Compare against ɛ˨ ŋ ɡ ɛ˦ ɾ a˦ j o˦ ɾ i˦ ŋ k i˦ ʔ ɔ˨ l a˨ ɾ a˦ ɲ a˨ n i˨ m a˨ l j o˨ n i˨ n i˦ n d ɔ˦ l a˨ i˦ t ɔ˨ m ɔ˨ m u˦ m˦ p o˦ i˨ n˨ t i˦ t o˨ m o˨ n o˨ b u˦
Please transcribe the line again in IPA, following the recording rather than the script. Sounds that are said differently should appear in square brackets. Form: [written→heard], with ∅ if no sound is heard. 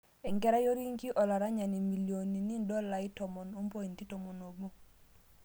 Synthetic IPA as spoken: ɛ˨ ŋ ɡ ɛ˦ ɾ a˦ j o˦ ɾ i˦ ŋ k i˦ ʔ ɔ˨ l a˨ ɾ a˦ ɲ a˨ n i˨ m [a˨→i˨] l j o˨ n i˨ n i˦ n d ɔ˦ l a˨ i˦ t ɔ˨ m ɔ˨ [m→n] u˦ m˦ p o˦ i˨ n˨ t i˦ t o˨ m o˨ n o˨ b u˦